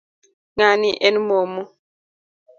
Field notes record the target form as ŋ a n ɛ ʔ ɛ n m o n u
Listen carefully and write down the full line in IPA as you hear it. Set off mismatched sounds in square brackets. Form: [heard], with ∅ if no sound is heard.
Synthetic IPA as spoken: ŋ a n [i] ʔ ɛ n m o [m] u